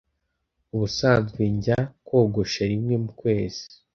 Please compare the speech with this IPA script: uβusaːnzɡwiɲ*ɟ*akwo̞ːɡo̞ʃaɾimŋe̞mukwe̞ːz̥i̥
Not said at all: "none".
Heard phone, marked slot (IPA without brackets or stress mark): ɟ